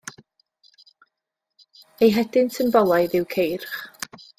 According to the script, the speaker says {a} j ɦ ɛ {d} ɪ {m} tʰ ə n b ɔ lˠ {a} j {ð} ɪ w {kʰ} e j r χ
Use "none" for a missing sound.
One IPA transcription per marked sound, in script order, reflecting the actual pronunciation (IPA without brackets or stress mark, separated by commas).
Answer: e, d, n, a, ð, kʰ